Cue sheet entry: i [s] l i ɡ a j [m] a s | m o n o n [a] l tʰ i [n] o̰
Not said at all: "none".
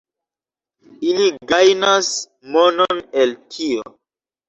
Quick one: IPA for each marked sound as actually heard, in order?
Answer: none, n, e, none

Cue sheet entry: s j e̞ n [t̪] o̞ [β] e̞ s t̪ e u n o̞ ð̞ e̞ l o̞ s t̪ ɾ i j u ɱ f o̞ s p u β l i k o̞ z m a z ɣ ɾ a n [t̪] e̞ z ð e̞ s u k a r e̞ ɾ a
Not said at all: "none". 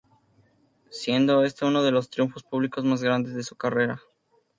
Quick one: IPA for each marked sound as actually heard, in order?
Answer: d̪, none, d̪

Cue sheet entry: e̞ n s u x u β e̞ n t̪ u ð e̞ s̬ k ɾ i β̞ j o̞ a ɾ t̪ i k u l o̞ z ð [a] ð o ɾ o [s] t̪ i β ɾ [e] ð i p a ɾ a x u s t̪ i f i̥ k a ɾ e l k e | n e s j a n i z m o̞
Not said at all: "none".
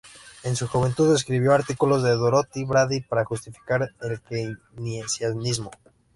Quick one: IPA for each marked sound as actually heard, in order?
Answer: e, none, a

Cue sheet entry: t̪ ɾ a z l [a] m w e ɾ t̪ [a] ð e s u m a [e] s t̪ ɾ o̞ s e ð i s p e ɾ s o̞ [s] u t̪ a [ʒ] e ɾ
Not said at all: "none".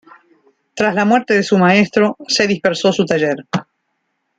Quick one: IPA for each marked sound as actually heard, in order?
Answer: a, e, e, s, ʒ

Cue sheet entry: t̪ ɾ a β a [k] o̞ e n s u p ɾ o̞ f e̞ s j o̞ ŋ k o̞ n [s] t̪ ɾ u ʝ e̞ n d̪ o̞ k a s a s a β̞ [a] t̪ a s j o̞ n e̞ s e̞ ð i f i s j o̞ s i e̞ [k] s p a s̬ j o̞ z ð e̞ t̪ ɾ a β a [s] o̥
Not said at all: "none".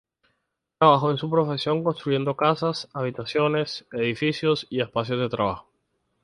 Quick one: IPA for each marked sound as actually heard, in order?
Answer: x, s, i, none, x

